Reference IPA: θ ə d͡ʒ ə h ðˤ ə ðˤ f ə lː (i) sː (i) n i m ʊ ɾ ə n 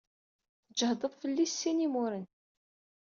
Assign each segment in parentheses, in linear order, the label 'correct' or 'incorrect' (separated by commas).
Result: correct, correct